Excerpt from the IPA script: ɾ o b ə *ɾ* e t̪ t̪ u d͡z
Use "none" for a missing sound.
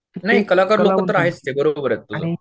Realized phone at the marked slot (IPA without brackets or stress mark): ɾ